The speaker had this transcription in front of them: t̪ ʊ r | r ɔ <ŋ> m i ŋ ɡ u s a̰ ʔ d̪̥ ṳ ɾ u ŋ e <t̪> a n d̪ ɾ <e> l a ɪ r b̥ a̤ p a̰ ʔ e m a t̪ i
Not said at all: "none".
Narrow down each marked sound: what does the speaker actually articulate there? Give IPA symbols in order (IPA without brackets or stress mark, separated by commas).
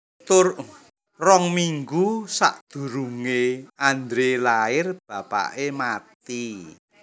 ŋ, none, e